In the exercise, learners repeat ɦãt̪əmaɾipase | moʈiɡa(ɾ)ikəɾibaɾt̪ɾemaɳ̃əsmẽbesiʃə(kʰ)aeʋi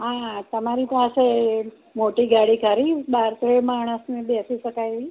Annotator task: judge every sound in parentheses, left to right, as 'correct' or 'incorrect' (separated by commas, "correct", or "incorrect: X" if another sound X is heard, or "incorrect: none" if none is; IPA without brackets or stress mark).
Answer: incorrect: ɽ, incorrect: k